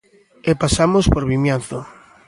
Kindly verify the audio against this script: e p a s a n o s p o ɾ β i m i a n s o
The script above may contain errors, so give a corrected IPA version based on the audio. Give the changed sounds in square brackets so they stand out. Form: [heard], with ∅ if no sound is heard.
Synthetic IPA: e p a s a [m] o s p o ɾ β i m [j] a n [θ] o